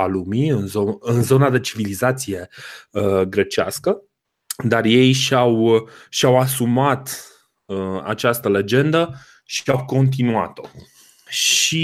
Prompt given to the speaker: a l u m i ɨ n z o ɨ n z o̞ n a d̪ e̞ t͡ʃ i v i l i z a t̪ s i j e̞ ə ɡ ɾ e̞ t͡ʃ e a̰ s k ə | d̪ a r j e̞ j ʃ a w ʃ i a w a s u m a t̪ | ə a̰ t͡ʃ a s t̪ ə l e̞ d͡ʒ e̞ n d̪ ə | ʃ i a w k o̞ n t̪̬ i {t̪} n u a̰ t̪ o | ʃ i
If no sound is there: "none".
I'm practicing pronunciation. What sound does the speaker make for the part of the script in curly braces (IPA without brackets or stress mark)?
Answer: none